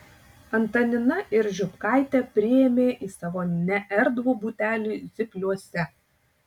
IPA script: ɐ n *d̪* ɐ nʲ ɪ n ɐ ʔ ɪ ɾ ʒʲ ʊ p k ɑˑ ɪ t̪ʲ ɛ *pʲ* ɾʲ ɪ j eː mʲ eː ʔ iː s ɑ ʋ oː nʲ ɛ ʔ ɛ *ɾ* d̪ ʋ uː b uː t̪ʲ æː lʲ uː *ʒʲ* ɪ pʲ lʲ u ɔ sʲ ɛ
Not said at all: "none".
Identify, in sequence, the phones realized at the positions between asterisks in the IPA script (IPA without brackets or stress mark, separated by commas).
t̪, pʲ, ɾ, zʲ